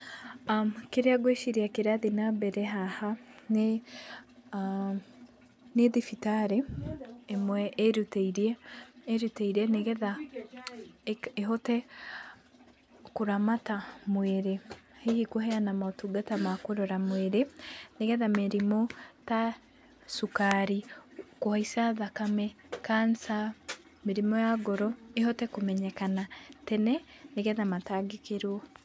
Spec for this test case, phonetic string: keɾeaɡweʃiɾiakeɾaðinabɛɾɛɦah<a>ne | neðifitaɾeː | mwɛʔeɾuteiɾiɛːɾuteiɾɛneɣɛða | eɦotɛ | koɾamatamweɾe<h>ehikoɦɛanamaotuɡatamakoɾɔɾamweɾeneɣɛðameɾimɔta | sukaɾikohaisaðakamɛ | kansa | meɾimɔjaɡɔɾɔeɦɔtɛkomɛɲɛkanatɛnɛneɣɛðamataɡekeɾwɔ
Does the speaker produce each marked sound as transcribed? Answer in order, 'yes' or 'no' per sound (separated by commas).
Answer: yes, yes